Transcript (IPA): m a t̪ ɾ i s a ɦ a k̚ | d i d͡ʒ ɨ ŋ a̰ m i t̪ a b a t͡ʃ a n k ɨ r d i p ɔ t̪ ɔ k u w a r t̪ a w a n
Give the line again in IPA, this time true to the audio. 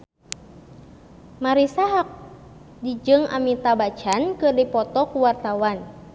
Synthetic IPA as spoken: m a ɾ i s a ɦ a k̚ | d i d͡ʒ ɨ ŋ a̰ m i t̪ a b a t͡ʃ a n k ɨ r d i p ɔ t̪ ɔ k u w a r t̪ a w a n